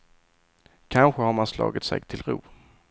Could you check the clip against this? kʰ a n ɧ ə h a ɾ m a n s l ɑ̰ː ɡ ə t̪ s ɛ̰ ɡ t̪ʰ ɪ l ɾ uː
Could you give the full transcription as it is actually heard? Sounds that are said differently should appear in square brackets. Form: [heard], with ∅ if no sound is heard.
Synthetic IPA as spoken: kʰ a n ɧ ə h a ɾ m a n s l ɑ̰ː ɡ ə t̪ s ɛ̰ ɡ t̪ʰ ɪ l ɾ uː